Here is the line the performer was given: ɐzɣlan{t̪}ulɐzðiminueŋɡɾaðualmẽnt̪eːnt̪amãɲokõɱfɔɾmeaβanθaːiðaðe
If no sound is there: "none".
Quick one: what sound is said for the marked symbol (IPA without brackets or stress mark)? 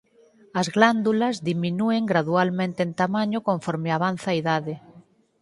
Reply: d̪